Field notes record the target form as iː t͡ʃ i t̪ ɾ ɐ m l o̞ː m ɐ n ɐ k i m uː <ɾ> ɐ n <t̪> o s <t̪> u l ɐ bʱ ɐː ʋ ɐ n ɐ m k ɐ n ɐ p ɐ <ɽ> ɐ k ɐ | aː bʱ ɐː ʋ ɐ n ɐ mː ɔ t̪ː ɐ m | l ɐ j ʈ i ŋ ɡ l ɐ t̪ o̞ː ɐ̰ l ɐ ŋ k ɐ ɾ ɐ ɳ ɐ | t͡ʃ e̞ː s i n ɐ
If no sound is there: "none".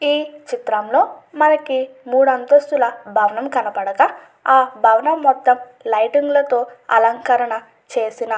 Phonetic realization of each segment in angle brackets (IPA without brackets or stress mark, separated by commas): ɽ, t̪, t̪, ɽ